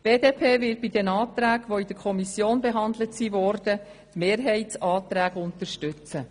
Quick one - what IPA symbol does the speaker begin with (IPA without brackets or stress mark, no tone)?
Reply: b̥